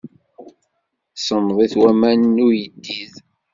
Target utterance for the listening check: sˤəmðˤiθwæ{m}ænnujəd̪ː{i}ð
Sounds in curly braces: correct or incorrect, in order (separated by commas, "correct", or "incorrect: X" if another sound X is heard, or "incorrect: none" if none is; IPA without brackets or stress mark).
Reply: correct, correct